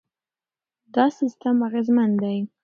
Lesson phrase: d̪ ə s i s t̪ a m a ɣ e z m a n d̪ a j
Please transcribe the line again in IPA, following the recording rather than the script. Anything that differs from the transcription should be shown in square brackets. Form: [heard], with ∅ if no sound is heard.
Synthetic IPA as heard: d̪ [ɑ] s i s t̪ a m a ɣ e z m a n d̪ a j